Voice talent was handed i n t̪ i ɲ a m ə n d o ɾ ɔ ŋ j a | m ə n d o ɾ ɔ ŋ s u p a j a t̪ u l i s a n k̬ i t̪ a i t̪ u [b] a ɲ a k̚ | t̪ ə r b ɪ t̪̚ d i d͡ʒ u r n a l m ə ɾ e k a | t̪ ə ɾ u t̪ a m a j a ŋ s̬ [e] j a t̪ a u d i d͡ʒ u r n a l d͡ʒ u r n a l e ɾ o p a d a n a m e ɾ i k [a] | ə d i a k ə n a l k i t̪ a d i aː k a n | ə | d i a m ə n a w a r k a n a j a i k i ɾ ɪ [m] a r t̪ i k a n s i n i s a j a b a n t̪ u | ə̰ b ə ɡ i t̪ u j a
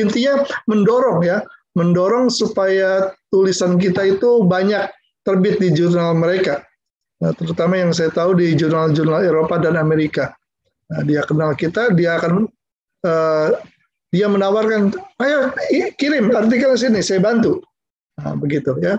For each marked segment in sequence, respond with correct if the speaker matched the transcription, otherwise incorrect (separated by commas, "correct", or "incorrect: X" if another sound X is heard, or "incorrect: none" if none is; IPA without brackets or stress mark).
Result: correct, incorrect: a, correct, correct